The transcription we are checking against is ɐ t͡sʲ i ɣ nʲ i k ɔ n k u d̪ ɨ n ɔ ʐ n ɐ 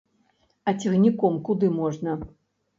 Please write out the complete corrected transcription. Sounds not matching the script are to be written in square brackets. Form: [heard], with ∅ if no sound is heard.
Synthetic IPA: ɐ t͡sʲ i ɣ nʲ i k ɔ [m] k u d̪ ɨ [m] ɔ ʐ n ɐ